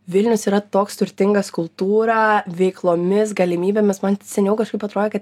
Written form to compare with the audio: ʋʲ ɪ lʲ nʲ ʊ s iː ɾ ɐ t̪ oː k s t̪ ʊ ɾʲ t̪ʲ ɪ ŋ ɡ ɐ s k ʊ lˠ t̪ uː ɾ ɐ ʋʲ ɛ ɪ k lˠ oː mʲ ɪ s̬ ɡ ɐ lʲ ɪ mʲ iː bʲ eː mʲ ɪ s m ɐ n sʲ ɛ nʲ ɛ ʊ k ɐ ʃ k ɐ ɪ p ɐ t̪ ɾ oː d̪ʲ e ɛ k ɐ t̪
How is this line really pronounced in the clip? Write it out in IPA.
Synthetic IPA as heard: ʋʲ ɪ lʲ nʲ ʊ s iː ɾ ɐ t̪ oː k s t̪ ʊ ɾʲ t̪ʲ ɪ ŋ ɡ ɐ s k ʊ lˠ t̪ uː ɾ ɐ ʋʲ ɛ ɪ k lˠ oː mʲ ɪ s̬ ɡ ɐ lʲ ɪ mʲ iː bʲ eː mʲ ɪ s m ɐ n sʲ ɛ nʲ ɛ ʊ k ɐ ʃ k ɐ ɪ p ɐ t̪ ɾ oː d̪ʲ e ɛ k ɐ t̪